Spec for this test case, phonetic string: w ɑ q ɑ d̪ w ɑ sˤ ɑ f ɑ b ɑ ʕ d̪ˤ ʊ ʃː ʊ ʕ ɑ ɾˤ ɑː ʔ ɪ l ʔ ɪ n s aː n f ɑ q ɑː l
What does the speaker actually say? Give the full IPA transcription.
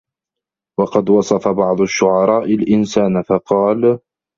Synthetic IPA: w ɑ q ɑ d̪ w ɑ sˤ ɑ f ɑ b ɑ ʕ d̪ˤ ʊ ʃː ʊ ʕ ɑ ɾˤ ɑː ʔ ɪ l ʔ ɪ n s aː n f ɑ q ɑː l